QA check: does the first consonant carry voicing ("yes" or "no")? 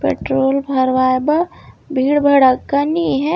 no